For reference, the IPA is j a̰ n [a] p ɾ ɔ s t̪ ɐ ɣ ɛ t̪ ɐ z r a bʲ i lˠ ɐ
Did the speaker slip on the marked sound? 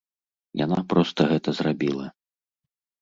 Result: no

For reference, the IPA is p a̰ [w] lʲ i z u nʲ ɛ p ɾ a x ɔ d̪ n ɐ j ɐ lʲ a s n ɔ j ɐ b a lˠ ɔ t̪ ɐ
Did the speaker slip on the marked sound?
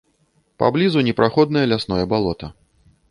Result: yes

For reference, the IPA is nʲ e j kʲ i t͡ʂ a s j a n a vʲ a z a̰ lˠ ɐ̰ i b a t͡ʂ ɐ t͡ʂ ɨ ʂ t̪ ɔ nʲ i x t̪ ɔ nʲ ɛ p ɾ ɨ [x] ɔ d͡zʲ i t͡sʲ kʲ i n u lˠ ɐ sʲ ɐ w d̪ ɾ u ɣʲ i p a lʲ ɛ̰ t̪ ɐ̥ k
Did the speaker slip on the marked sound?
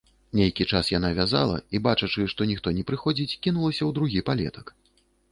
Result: no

